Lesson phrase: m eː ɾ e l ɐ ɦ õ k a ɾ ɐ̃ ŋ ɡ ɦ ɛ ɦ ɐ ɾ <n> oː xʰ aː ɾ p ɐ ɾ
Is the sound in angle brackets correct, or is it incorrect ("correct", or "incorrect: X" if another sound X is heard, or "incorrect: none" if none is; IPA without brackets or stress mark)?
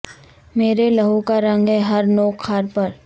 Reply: correct